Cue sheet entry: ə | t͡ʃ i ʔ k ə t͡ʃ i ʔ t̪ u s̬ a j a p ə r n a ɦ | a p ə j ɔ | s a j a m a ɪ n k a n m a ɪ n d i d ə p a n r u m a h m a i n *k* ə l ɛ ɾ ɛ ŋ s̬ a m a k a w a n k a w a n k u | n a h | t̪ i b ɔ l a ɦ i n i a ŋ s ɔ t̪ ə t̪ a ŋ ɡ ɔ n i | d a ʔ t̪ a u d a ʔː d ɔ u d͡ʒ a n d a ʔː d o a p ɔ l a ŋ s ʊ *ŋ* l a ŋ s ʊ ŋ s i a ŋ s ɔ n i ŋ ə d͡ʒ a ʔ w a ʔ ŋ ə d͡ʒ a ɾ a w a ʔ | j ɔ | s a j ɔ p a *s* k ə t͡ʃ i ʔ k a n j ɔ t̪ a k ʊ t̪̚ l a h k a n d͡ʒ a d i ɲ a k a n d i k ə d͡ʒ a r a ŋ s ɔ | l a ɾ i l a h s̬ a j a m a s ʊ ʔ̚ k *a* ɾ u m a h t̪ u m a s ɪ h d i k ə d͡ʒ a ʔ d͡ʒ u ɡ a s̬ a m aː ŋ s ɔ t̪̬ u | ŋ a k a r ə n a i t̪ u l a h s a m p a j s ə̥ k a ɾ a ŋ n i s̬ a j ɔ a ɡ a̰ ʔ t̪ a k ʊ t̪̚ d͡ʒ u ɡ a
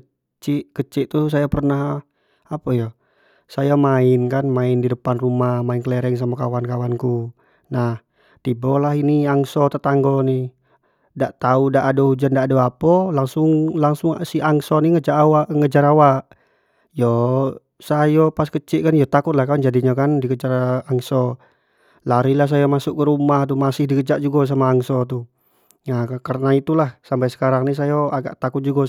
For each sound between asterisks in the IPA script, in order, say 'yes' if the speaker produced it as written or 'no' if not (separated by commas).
yes, yes, yes, no